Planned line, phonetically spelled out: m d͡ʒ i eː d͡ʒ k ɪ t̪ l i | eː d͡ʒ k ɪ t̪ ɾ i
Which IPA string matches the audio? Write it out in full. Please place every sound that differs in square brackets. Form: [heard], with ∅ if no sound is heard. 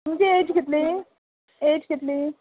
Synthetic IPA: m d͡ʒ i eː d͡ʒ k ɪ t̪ l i | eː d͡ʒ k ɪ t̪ [l] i